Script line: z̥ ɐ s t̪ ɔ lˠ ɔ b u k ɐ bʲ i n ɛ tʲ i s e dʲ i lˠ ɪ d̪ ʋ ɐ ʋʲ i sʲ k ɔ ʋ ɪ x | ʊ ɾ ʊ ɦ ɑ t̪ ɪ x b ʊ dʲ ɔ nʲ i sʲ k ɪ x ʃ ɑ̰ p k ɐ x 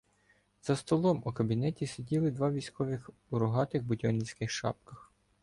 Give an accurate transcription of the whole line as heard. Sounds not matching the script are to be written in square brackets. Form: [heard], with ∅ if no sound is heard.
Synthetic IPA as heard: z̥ ɐ s t̪ ɔ lˠ ɔ [m] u k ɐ bʲ i n ɛ tʲ i s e dʲ i lˠ ɪ d̪ ʋ [ɑ] ʋʲ i sʲ k ɔ ʋ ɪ x | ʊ ɾ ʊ ɦ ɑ t̪ ɪ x b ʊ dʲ ɔ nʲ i sʲ k ɪ x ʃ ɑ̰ p k ɐ x